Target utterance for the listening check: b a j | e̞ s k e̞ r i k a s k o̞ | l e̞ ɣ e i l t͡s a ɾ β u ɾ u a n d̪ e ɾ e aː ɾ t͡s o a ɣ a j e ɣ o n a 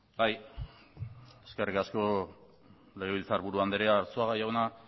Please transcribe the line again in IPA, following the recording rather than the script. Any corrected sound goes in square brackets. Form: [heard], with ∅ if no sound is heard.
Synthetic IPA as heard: b a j | e̞ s k e̞ r i k a s k o̞ | l e̞ ɣ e i l t͡s a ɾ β u ɾ u a n d̪ e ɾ e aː ɾ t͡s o a ɣ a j [a] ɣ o n a